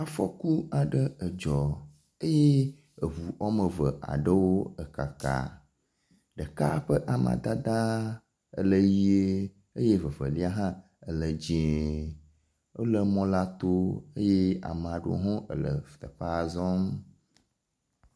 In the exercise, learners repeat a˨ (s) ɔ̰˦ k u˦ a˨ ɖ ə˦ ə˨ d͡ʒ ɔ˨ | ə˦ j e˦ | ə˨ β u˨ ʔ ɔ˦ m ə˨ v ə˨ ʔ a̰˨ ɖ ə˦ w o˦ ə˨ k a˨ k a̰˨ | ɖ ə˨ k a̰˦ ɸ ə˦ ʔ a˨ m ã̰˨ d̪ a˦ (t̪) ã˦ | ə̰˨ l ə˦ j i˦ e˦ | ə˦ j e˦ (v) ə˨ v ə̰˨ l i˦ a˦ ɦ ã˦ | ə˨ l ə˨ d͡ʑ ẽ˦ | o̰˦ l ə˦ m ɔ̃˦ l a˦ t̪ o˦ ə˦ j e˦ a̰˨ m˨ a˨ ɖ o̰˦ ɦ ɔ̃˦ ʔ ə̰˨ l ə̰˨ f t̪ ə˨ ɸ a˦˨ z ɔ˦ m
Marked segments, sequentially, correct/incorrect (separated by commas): incorrect, incorrect, correct